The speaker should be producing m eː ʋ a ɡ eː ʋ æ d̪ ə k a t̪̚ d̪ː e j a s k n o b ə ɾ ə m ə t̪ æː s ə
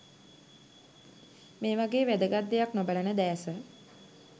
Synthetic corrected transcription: m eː ʋ a ɡ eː ʋ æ d̪ ə ɡ a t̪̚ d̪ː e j a k n o b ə l ə n ə d̪ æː s ə